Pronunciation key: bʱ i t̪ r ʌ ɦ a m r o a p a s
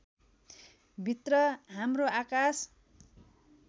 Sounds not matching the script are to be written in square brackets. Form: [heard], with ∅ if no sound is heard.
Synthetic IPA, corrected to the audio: bʱ i t̪ r ʌ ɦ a m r o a [k] a s